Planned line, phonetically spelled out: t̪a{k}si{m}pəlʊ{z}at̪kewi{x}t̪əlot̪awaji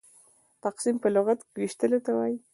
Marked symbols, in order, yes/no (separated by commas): no, yes, no, no